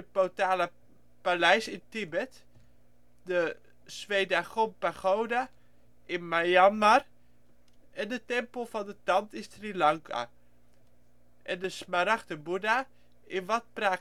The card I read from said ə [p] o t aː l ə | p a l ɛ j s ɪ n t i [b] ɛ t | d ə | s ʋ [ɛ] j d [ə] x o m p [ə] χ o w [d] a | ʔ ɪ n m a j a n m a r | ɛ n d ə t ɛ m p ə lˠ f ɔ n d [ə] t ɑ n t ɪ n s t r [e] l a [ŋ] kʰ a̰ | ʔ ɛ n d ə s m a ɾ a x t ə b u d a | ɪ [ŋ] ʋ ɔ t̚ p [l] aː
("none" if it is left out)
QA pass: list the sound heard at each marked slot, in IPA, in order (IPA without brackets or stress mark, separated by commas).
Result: p, b, e, a, a, d, ə, i, ŋ, n, r